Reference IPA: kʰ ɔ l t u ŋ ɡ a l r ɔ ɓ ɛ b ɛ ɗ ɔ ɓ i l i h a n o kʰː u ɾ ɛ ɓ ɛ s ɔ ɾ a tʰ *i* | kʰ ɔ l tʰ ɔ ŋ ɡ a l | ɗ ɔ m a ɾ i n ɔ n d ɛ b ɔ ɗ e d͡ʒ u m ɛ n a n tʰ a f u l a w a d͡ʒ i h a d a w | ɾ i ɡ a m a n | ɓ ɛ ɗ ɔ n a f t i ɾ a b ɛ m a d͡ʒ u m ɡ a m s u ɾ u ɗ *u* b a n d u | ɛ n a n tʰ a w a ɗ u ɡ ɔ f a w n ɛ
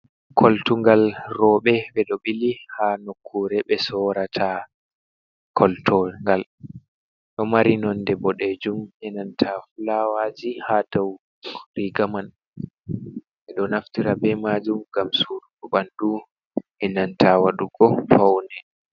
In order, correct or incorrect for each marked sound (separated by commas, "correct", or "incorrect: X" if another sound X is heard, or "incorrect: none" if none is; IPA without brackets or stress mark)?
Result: incorrect: a, incorrect: ɔ